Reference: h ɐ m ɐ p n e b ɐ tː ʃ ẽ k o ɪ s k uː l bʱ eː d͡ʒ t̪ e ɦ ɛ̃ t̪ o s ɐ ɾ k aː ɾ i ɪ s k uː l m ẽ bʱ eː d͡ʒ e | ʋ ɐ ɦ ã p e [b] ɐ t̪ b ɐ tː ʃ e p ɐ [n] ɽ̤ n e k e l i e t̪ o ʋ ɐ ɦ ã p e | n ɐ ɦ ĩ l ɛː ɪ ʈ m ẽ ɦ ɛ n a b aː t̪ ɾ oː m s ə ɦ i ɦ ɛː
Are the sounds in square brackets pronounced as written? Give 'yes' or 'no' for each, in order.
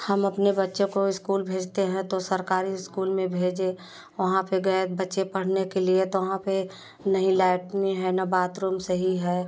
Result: no, no

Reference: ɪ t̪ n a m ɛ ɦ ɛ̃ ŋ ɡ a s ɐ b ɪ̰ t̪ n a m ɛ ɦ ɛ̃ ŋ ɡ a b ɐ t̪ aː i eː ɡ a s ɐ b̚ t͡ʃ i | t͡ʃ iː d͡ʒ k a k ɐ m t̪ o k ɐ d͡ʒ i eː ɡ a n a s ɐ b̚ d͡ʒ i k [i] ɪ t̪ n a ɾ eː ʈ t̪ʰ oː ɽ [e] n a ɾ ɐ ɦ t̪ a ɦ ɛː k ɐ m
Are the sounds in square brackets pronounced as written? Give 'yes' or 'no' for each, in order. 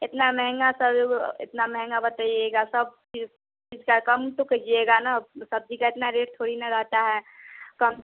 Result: no, no

